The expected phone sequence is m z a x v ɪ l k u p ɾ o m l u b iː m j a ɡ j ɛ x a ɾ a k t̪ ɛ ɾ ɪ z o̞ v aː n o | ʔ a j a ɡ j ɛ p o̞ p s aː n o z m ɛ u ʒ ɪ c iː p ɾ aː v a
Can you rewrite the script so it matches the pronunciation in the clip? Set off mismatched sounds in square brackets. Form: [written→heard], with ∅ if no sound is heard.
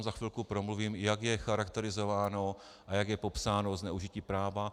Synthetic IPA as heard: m z a x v ɪ l k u p ɾ o m l u [b→v] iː m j a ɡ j ɛ x a ɾ a k t̪ ɛ ɾ ɪ z o̞ v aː n o | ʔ a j a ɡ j ɛ p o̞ p s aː n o z [m→n] ɛ u ʒ ɪ c iː p ɾ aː v a